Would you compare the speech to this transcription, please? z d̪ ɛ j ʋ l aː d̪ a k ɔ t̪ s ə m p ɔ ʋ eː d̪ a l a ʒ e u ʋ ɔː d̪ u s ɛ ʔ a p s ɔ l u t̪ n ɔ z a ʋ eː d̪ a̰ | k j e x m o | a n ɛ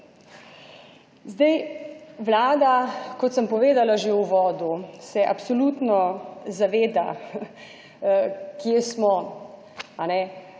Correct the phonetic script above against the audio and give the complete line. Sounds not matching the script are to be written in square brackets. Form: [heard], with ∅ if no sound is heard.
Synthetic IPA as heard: z d̪ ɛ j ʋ l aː d̪ a k ɔ t̪ s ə m p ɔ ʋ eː d̪ a l a ʒ e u ʋ ɔː d̪ u s ɛ ʔ a p s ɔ l u t̪ n ɔ z a ʋ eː d̪ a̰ | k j e [s] m [ɔ] | a n ɛ